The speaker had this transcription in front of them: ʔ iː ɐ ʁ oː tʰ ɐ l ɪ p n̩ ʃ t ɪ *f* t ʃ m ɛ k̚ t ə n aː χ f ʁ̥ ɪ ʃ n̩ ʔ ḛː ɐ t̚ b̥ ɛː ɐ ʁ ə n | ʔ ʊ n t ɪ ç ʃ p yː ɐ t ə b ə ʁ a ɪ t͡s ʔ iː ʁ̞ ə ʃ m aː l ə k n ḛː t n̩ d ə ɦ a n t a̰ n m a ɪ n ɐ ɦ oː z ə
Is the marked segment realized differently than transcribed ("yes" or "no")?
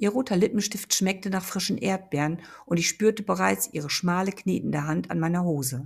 no